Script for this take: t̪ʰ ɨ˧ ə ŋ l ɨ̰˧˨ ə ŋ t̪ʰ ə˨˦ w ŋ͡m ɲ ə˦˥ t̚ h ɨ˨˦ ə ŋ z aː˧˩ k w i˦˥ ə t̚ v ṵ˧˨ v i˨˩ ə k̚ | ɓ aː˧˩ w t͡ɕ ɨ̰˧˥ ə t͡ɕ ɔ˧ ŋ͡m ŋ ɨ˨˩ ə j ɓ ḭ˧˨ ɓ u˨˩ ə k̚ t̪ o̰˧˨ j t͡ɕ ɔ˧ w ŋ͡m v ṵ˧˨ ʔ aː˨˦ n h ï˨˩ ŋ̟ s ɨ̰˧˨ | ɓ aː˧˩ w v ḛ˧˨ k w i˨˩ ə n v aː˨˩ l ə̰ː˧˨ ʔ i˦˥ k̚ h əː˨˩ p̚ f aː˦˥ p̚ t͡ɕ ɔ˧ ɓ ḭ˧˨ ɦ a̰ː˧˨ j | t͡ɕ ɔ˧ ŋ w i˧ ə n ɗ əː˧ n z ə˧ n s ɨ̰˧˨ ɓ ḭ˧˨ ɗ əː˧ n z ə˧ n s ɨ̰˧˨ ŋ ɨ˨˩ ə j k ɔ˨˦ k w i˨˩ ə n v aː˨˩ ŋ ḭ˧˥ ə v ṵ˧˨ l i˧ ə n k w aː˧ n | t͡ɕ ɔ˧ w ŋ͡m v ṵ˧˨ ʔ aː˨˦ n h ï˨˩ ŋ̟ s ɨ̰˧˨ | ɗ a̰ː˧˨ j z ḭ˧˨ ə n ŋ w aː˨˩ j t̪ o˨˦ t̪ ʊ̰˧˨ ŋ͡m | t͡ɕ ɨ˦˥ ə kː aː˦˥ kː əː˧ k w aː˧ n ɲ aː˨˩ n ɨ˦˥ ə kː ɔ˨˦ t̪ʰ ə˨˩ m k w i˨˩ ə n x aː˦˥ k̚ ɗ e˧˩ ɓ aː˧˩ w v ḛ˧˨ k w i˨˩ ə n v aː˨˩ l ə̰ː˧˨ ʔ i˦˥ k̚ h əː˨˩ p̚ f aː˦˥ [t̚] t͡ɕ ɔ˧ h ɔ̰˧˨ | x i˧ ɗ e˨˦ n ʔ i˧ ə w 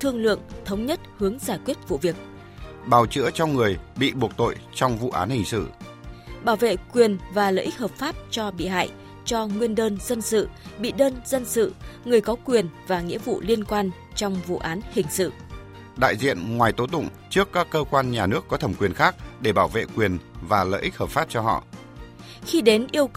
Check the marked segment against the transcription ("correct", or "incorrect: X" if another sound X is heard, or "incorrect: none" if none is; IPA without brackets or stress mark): incorrect: p̚